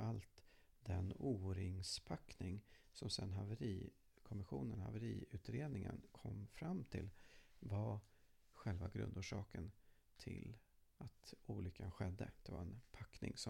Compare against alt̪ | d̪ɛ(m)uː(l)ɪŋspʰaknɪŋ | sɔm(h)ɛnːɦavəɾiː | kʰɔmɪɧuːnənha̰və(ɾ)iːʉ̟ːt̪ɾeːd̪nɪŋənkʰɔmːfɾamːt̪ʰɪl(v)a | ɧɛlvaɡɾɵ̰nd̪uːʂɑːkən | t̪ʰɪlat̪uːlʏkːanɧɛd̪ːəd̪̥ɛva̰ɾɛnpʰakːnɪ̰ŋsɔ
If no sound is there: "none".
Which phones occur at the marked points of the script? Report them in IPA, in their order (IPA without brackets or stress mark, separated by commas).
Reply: n, ɾ, s, ɾ, v